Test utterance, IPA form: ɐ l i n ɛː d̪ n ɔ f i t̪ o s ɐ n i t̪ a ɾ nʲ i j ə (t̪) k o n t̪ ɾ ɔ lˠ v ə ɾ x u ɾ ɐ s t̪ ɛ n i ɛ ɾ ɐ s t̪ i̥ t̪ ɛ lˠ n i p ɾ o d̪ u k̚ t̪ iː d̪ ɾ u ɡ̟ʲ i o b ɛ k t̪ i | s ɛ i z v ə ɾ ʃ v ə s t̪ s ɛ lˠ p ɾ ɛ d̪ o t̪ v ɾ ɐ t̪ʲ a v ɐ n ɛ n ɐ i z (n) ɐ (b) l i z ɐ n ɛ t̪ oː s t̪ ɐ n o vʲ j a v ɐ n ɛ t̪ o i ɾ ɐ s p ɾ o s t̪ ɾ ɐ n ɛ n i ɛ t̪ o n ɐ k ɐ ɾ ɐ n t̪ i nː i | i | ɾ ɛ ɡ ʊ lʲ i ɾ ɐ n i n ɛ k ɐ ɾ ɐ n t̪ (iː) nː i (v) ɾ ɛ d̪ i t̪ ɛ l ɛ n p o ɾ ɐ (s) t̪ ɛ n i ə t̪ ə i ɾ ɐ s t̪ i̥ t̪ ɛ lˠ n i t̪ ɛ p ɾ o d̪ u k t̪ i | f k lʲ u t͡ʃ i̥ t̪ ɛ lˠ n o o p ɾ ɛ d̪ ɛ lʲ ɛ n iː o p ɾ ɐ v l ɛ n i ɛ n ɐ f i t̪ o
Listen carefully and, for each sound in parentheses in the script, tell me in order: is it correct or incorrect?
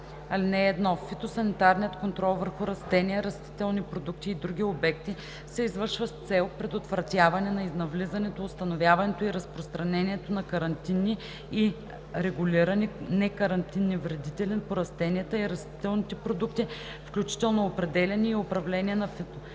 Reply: correct, correct, incorrect, incorrect, correct, correct

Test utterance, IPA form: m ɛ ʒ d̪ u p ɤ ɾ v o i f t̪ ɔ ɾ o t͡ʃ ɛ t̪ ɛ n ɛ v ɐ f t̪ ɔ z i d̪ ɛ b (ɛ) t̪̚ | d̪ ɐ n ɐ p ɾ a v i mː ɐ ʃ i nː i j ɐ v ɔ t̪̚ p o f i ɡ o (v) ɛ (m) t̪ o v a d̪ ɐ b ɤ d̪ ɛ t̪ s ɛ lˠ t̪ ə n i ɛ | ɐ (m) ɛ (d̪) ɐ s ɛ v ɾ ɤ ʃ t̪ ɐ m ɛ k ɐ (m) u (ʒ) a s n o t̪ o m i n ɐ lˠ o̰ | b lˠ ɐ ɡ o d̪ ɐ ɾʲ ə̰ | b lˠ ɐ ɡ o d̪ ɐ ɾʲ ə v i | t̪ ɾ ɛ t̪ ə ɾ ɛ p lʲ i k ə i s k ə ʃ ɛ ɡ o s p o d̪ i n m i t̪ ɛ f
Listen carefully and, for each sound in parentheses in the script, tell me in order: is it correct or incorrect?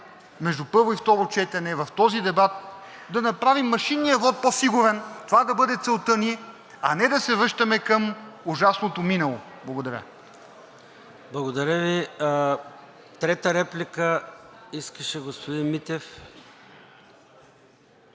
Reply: incorrect, correct, incorrect, incorrect, correct, correct, correct

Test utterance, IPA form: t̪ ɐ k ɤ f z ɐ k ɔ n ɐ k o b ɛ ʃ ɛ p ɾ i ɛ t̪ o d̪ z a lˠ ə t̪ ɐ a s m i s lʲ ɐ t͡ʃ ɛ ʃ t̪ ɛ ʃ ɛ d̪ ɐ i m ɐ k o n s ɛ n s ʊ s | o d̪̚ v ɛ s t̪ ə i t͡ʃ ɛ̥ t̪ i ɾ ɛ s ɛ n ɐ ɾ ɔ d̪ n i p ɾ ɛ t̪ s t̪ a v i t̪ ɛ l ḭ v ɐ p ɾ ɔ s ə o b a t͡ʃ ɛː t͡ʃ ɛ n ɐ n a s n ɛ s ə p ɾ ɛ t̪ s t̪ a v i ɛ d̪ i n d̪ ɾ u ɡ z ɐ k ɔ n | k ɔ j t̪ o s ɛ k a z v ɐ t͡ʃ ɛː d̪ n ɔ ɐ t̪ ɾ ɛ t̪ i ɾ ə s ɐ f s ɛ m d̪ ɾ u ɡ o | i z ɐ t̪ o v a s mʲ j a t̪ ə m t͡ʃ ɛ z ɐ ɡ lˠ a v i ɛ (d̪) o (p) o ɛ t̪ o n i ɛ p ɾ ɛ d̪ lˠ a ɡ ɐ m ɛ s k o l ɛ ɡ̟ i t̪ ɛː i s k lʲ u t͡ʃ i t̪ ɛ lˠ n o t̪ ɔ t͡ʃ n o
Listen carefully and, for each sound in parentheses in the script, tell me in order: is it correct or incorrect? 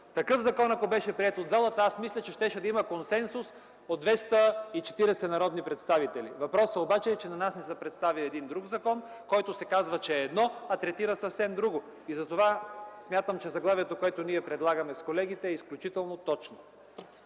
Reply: incorrect, incorrect

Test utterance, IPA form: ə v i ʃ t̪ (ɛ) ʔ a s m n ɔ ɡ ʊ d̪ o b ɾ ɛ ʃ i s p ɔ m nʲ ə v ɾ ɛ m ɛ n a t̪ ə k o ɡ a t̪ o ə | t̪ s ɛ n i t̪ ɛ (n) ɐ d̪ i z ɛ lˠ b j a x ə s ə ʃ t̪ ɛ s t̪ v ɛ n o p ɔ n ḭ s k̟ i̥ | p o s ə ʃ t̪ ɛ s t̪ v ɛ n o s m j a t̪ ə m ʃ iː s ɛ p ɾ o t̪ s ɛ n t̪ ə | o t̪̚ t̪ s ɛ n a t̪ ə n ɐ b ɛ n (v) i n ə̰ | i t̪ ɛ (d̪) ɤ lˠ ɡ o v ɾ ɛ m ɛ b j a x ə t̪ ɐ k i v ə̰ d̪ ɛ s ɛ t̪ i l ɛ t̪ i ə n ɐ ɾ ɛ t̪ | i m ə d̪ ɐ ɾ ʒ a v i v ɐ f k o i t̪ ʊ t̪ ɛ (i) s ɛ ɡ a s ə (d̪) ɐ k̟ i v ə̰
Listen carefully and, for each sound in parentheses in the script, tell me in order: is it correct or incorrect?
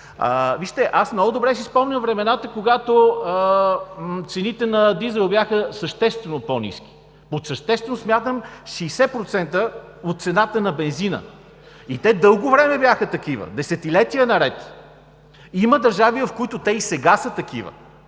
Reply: correct, correct, incorrect, correct, correct, incorrect

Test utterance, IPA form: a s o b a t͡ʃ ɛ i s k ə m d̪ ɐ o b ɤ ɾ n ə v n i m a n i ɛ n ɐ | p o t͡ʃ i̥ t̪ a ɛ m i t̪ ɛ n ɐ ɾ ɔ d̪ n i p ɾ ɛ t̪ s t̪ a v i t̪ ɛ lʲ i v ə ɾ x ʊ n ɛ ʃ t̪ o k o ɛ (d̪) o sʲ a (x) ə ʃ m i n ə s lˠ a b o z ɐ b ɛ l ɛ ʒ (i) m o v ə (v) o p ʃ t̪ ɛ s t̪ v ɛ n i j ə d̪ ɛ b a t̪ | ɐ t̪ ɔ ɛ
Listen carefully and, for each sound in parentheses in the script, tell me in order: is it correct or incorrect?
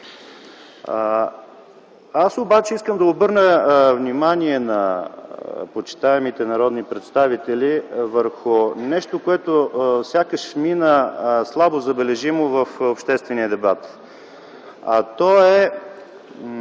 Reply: incorrect, incorrect, correct, incorrect

